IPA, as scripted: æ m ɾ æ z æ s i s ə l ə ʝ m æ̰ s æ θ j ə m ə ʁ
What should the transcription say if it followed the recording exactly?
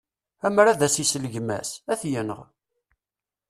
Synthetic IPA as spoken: æ m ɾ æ ð æ s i s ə l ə ʝ m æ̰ s æ θ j ə n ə ʁ